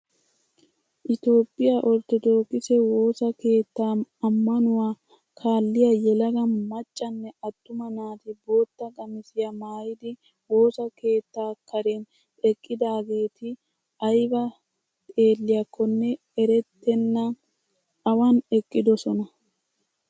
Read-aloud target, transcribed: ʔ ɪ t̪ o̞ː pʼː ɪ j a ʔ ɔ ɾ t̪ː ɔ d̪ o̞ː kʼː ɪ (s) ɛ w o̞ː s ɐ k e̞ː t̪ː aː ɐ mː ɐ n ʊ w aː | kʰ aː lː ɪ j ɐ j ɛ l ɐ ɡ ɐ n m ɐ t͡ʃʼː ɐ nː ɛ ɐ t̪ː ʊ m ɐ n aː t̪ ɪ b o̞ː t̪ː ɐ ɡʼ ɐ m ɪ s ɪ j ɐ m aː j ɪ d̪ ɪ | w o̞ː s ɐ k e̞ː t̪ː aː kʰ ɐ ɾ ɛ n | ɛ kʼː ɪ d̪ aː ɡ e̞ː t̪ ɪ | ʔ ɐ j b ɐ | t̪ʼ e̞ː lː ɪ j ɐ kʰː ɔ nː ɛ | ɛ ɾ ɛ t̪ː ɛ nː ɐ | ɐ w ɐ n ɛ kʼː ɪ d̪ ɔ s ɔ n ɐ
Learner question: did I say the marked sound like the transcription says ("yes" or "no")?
yes